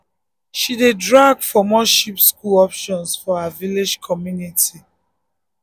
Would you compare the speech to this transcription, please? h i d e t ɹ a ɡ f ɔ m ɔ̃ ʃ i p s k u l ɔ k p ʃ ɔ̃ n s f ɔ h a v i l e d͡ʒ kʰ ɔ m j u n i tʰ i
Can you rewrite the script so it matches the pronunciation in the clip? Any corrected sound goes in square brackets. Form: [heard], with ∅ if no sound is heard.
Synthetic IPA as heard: [ʃ] i d e [d] ɹ a ɡ f ɔ m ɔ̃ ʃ i p s k u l ɔ [∅] p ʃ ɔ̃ n s f ɔ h a v i l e d͡ʒ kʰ ɔ m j u n i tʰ i